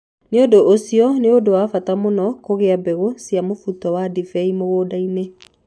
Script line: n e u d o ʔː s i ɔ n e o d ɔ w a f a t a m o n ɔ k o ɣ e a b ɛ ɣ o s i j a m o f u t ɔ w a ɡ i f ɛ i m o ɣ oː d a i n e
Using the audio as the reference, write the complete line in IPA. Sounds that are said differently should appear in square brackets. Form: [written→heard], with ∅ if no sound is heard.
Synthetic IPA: n e [u→o] d o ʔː s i ɔ n e o d [ɔ→o] w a f a t a m o n ɔ k o ɣ e a b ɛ ɣ o s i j a m o f u t ɔ w a [ɡ→d] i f ɛ i m o ɣ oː d a i n e